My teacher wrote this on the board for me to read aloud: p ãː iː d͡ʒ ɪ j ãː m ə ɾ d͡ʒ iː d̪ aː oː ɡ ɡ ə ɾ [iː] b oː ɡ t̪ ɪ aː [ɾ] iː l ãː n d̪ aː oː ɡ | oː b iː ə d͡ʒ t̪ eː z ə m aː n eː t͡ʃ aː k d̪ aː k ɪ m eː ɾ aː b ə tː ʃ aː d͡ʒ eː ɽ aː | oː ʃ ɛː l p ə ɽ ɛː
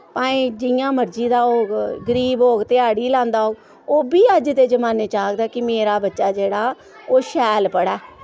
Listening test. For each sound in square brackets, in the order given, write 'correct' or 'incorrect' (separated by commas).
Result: correct, incorrect